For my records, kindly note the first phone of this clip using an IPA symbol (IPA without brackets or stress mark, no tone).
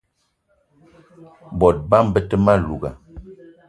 b